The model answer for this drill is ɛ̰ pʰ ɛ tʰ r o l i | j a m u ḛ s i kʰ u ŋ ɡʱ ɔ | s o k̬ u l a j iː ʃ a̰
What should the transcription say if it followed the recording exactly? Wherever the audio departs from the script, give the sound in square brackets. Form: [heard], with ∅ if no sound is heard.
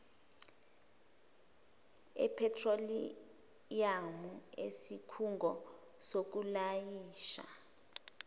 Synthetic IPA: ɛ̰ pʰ ɛ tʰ r o l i | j a m u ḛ s i kʰ u ŋ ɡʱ ɔ | s o k̬ u l a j iː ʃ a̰